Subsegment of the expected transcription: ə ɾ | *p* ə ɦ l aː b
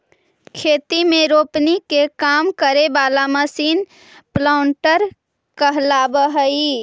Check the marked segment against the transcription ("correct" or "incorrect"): incorrect